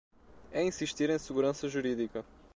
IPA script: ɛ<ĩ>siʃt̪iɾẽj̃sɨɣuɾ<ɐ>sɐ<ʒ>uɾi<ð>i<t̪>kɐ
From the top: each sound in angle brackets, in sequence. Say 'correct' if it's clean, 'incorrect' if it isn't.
correct, incorrect, correct, correct, incorrect

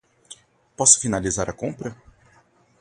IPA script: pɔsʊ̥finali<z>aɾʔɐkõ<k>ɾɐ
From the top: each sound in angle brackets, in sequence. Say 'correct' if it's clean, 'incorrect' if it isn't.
correct, incorrect

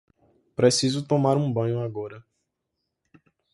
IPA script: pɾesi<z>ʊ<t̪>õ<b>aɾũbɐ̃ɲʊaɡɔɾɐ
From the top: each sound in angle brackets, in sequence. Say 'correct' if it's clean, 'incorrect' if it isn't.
correct, correct, incorrect

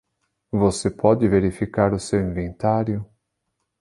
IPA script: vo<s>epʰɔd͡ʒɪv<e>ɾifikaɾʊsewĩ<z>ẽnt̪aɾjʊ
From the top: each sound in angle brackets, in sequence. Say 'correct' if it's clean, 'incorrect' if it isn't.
correct, correct, incorrect

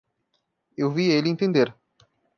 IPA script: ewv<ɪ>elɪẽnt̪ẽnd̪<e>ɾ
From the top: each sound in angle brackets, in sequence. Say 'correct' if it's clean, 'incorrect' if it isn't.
incorrect, correct

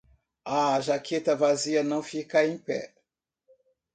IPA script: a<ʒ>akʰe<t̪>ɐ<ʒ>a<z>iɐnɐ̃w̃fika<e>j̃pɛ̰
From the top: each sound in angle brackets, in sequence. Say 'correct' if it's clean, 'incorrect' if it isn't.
correct, correct, incorrect, correct, incorrect

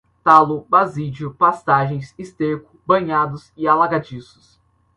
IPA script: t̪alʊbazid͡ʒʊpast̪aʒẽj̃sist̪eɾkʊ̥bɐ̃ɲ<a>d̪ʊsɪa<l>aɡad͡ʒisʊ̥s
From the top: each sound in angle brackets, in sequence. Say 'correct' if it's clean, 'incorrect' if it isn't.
correct, correct

